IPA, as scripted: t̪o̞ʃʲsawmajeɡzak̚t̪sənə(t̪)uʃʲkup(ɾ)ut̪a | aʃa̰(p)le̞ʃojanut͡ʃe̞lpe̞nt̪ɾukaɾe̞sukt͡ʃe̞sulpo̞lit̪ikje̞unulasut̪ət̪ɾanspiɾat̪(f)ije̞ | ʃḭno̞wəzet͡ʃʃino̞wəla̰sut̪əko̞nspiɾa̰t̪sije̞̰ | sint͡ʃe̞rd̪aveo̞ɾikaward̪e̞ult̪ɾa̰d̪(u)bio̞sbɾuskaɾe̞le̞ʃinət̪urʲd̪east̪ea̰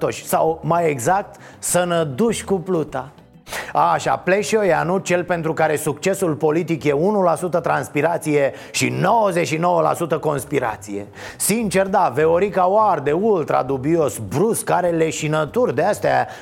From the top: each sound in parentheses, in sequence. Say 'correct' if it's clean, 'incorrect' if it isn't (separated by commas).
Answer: incorrect, incorrect, correct, incorrect, correct